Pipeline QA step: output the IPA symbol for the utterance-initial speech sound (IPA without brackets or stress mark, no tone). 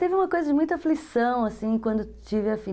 t̪